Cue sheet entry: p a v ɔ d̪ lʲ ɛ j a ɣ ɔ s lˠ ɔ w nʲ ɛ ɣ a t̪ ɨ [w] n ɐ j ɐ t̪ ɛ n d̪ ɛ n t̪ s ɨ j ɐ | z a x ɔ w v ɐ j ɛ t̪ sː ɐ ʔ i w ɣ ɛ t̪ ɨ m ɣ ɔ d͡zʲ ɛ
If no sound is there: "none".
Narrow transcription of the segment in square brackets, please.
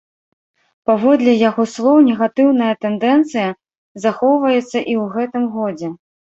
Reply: w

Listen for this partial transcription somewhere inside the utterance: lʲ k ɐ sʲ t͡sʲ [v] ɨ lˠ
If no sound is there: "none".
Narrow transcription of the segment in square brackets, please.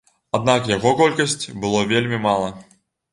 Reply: b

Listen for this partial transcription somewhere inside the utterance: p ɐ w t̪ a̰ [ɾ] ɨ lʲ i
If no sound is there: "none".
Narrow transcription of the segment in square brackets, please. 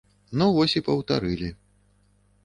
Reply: ɾ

